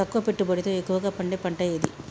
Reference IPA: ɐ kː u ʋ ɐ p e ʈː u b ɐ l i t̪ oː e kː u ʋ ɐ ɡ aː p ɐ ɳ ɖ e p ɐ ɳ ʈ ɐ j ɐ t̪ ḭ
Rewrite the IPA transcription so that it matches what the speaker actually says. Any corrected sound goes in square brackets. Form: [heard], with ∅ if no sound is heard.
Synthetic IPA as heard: ɐ kː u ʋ ɐ p e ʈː u b ɐ [ɽ] i t̪ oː e kː u ʋ ɐ ɡ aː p ɐ ɳ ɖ e p ɐ ɳ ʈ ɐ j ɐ [d̪] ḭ